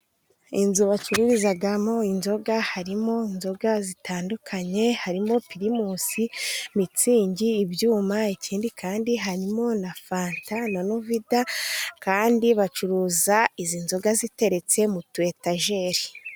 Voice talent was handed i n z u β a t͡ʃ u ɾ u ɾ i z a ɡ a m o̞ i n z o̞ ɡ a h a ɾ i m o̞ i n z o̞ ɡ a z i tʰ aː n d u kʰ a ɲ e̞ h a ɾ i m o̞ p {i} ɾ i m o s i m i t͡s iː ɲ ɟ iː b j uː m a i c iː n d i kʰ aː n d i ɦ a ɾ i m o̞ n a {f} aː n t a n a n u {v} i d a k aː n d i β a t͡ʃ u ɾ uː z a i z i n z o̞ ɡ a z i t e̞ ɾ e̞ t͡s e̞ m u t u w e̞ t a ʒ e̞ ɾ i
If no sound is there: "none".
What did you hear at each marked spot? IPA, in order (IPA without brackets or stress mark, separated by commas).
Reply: i, f, v